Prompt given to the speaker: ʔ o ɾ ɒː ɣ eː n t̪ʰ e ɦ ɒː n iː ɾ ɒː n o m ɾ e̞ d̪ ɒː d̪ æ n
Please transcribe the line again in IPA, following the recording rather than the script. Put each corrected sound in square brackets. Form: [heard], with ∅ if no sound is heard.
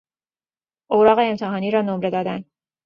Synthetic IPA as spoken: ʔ o ɾ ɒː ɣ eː [m] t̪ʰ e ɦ ɒː n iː ɾ ɒː n o m ɾ e̞ d̪ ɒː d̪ æ n